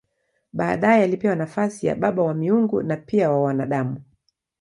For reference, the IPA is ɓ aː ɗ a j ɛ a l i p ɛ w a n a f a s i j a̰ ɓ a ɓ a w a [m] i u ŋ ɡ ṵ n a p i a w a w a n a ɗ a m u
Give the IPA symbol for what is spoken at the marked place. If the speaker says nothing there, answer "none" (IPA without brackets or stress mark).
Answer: m